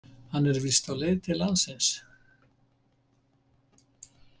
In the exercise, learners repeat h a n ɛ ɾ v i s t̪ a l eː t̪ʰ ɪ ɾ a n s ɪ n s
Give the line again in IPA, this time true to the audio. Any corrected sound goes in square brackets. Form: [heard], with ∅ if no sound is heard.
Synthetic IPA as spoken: h a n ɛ ɾ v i s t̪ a l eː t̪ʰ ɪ [l] a n s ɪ n s

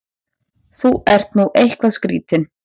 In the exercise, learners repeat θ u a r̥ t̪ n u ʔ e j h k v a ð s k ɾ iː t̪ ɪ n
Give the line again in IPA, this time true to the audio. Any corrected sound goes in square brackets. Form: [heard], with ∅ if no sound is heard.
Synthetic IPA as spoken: θ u [ɛ] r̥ t̪ n u ʔ e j h k v a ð s k ɾ iː t̪ ɪ n

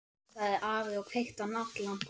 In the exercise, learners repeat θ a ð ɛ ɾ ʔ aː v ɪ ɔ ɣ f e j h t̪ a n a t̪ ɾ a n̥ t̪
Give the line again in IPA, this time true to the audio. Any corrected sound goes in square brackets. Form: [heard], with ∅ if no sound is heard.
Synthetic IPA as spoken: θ a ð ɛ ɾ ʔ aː v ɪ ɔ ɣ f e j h t̪ a n a t̪ [l] a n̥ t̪

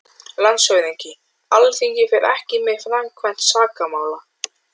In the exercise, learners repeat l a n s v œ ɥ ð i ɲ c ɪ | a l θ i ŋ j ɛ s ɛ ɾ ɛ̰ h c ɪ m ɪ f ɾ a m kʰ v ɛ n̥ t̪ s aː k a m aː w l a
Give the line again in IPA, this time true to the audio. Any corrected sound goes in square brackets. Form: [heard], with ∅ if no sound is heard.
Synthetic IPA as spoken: l a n s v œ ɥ ð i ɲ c ɪ | a l θ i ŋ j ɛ [f] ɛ ɾ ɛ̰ h c ɪ m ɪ f ɾ a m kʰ v ɛ n̥ t̪ s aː k a m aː w l a

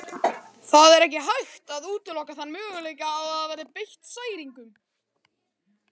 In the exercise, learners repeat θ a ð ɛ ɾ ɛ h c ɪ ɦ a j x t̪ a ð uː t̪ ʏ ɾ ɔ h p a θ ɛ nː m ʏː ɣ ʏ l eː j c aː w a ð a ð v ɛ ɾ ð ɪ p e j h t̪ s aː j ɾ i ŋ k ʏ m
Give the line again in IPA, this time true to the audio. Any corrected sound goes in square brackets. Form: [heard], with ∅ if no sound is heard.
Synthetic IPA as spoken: θ a ð ɛ ɾ ɛ h c ɪ ɦ a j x t̪ a ð uː t̪ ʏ [l] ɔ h [k] a θ [a] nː m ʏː ɣ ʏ l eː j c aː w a ð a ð v ɛ ɾ ð ɪ p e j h t̪ s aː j ɾ i ŋ k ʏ m

